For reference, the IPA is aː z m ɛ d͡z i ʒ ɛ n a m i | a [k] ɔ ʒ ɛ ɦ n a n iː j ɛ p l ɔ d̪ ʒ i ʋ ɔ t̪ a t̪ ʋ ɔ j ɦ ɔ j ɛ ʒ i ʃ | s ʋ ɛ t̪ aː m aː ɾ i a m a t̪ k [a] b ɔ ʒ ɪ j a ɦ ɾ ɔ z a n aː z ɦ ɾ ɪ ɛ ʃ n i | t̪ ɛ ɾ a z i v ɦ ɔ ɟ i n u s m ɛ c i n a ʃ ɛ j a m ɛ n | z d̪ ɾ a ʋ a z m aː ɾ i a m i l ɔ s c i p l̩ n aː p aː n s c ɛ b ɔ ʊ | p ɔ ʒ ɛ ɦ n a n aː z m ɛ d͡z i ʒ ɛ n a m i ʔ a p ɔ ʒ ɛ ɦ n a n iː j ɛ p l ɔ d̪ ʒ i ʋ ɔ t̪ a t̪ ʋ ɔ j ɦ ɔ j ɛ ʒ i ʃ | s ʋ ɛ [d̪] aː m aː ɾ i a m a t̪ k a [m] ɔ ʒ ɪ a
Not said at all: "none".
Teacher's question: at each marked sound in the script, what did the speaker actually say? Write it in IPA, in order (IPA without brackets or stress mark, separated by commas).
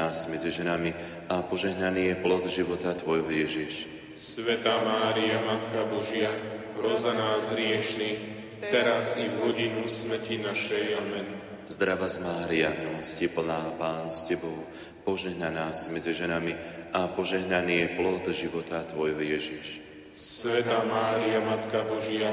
p, a, t̪, b